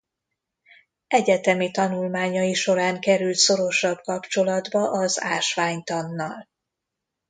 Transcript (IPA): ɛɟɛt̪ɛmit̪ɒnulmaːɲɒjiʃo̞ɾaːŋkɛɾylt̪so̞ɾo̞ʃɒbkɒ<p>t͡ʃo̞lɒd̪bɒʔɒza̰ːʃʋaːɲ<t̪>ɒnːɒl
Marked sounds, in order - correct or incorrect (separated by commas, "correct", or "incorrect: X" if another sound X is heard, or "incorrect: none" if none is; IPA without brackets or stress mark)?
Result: correct, correct